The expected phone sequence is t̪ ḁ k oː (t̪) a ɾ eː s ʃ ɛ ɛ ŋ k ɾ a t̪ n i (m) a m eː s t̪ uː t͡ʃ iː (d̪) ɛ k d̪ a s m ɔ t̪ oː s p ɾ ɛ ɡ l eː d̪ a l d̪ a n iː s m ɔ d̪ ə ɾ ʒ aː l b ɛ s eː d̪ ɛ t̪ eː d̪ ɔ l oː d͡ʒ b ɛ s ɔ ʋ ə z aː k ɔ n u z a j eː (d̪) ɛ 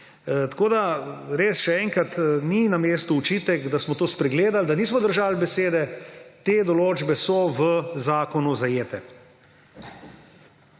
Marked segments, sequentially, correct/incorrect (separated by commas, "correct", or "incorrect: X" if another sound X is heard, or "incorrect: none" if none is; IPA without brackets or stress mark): incorrect: d̪, incorrect: n, incorrect: t̪, incorrect: t̪